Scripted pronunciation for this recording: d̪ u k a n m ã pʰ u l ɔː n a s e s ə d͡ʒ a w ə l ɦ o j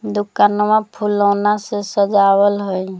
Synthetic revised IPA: d̪ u k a n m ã pʰ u l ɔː n a s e s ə d͡ʒ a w ə l ɦ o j